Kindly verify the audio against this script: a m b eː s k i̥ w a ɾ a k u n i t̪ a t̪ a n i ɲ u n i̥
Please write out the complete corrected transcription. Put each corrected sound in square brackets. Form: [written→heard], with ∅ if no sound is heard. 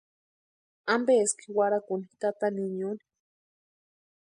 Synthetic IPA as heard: a m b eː s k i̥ w a ɾ a k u n i t̪ a t̪ a n i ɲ u n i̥